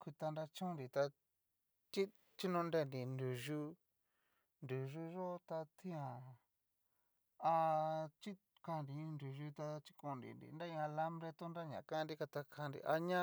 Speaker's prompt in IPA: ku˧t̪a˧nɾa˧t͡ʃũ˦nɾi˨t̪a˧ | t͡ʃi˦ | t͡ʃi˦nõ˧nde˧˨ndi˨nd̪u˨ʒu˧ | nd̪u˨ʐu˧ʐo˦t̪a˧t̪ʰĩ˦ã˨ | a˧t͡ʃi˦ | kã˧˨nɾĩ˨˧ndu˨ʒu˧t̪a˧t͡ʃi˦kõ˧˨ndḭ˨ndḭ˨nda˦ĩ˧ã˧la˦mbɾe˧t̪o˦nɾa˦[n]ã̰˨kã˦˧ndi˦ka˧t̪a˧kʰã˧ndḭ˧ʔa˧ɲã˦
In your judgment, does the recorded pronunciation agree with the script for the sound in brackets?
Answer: no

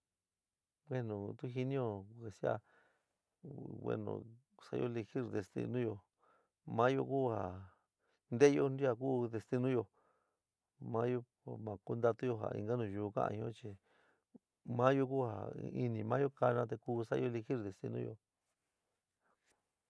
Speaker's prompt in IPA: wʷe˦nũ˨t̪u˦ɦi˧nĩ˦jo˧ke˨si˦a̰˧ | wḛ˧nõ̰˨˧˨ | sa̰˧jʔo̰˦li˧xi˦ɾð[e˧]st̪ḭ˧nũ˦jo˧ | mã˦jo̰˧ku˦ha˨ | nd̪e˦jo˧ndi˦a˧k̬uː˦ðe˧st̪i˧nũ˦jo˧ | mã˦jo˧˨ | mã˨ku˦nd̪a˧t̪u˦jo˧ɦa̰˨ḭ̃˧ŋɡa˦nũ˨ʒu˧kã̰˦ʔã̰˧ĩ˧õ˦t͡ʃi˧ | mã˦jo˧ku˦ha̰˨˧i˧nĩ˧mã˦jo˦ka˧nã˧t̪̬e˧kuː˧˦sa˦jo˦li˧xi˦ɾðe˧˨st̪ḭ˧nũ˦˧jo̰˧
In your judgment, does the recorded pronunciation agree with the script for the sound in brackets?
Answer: yes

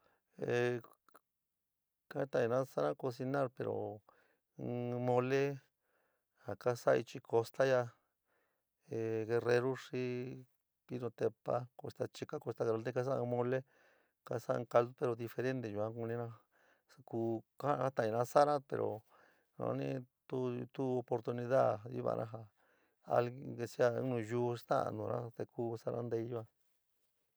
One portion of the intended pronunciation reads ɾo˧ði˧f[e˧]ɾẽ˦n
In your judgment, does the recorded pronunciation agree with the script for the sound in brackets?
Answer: yes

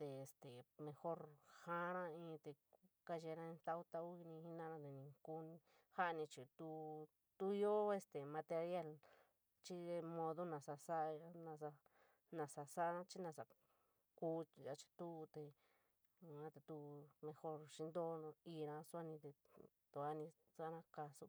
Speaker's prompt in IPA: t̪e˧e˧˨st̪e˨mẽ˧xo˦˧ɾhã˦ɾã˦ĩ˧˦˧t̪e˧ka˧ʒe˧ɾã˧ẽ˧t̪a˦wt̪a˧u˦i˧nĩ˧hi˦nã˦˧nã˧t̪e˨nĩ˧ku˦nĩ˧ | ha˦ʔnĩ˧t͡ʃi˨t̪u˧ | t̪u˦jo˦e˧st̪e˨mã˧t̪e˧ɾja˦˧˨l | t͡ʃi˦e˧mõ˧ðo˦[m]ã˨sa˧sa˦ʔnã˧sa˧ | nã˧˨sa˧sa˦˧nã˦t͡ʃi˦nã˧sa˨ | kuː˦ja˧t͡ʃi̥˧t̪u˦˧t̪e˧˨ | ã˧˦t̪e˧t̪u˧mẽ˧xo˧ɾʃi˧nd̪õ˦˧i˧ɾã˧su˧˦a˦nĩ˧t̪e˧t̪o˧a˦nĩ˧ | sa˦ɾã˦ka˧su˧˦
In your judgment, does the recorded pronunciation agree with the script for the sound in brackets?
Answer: no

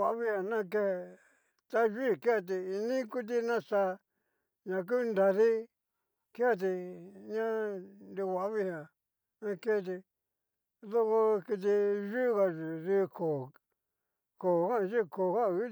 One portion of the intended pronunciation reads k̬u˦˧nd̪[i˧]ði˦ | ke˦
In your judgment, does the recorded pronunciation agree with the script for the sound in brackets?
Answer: no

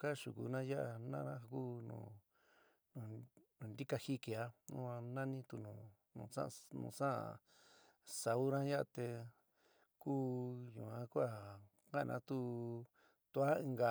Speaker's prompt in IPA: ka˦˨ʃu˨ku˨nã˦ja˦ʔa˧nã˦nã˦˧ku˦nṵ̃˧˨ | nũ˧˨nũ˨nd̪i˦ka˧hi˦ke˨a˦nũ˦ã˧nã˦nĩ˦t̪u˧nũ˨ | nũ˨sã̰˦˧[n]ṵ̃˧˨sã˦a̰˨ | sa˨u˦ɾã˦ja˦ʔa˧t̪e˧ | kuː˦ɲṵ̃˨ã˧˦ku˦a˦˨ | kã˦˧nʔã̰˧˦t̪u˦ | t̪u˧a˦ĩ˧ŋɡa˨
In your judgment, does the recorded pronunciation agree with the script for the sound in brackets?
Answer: yes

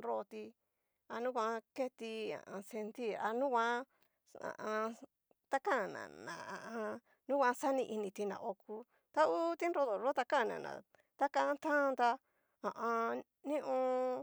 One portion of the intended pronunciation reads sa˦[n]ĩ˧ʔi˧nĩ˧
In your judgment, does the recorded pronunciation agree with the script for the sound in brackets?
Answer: yes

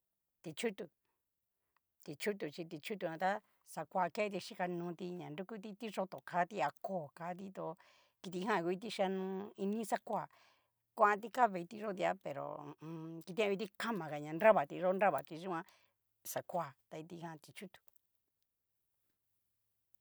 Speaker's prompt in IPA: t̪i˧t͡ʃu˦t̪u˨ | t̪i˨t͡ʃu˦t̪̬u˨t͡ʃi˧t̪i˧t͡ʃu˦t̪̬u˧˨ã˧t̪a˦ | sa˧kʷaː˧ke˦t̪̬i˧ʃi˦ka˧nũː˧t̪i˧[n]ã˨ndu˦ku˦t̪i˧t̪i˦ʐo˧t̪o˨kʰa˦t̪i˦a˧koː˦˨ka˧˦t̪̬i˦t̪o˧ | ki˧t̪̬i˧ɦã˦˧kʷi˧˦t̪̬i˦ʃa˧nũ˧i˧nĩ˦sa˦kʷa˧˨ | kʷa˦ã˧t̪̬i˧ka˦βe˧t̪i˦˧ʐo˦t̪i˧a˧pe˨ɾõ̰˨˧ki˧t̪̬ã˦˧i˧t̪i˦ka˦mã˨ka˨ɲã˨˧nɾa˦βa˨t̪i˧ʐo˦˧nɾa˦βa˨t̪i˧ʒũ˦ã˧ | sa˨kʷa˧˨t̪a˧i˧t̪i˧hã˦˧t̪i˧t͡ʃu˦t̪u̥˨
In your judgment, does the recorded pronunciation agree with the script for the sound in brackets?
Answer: no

